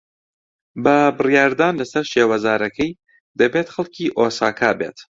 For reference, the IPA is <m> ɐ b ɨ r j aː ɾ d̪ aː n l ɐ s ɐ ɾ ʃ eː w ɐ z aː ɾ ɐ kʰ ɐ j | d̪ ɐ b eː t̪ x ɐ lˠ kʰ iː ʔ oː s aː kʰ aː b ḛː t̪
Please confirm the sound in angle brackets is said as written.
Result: no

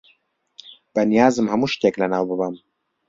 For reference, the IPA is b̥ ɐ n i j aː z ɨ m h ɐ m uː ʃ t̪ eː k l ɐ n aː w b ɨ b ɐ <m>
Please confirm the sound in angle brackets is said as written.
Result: yes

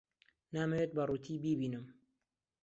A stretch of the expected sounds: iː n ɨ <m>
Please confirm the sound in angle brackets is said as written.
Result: yes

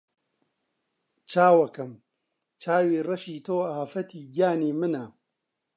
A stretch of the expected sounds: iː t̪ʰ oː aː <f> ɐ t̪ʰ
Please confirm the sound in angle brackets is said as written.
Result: yes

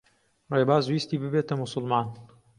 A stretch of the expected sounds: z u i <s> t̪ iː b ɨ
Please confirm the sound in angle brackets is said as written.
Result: yes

